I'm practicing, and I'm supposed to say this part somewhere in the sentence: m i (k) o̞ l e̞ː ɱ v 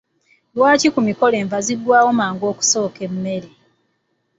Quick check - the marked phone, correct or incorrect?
correct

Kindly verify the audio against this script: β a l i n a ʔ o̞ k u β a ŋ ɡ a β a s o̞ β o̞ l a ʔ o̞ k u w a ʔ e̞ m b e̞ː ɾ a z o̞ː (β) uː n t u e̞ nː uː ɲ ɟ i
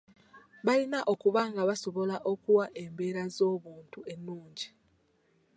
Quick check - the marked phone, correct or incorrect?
correct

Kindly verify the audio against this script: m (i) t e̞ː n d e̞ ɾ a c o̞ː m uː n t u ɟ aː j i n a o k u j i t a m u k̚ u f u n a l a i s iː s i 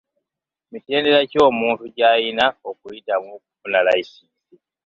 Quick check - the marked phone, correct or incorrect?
correct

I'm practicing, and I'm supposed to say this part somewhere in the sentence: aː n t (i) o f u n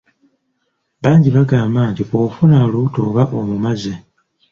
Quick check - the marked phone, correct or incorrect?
correct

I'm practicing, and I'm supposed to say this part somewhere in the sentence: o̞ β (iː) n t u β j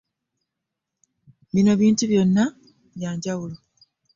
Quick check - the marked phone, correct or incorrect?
correct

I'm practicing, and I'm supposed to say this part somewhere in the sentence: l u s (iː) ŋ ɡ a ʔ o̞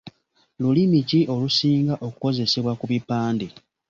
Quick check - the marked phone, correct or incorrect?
correct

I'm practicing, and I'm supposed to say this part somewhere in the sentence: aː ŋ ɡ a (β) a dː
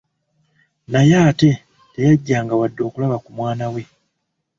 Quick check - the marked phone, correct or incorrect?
incorrect: w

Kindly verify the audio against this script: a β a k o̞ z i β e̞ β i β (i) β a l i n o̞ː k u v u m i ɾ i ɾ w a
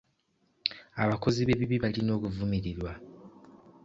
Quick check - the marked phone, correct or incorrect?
correct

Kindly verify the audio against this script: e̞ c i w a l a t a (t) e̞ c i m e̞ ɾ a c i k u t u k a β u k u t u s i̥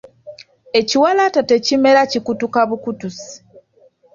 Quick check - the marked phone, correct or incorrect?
correct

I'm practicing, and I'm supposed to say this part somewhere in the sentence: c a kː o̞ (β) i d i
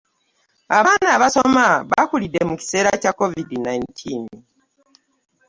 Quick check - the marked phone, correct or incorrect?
incorrect: v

